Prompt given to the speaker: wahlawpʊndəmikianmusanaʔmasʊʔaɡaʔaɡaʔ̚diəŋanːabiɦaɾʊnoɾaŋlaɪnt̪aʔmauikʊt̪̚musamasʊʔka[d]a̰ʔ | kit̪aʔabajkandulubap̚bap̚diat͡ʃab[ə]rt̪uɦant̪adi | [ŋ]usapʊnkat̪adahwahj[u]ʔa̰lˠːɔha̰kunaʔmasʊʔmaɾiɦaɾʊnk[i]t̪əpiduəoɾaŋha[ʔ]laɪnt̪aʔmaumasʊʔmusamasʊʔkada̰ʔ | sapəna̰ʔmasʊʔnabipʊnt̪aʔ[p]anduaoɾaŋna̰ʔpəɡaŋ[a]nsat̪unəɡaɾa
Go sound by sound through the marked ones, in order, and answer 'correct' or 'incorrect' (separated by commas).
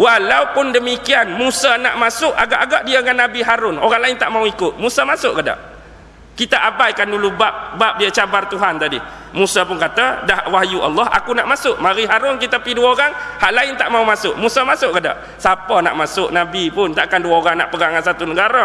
correct, incorrect, incorrect, correct, correct, correct, incorrect, correct